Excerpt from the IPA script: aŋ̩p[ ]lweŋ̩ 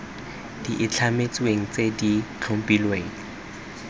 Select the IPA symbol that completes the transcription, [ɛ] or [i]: i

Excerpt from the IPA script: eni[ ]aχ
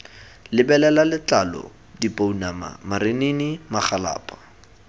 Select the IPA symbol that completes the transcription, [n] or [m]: m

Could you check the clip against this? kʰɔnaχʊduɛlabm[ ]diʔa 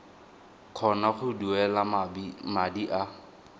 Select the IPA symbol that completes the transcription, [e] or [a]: a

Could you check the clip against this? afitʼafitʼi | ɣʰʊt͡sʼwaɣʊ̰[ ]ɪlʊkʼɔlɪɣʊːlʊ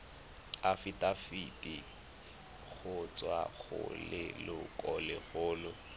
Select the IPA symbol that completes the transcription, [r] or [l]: l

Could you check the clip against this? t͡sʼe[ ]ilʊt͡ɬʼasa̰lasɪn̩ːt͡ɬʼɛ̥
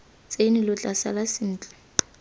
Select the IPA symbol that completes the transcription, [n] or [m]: n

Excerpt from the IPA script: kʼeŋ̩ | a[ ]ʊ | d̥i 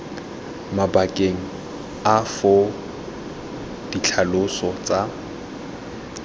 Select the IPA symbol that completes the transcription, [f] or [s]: f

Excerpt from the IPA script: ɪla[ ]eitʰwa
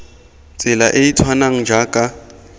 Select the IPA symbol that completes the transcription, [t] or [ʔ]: ʔ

